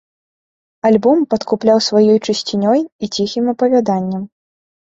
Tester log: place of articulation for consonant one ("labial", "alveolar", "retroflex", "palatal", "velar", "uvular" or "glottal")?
alveolar